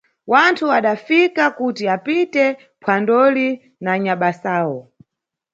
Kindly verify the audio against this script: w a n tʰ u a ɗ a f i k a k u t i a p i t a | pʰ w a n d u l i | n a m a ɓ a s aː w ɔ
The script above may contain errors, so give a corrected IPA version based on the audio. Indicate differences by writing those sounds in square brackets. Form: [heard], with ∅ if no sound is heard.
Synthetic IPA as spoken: w a n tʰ u a ɗ a f i k a k u t i a p i t [ɛ] | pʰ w a n d [ɔ] l i | n a [ɲ] a ɓ a s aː w ɔ